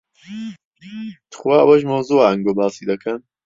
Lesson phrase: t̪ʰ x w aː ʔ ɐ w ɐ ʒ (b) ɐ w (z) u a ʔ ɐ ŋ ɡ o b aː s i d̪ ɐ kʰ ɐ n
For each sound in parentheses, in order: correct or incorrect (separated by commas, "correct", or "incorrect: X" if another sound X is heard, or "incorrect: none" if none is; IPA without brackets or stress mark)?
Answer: incorrect: m, correct